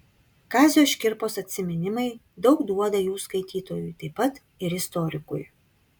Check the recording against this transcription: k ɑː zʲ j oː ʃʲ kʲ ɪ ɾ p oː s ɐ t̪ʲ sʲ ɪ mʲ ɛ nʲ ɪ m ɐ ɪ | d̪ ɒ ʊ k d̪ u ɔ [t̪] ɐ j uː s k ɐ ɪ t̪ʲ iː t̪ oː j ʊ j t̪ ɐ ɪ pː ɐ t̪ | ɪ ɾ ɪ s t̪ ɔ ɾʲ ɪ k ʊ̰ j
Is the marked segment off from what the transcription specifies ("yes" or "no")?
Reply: yes